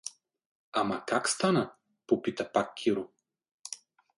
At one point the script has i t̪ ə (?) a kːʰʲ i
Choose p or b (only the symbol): p